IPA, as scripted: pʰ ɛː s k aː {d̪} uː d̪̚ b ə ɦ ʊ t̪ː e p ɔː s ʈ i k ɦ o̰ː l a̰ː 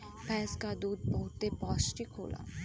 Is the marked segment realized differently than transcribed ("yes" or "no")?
no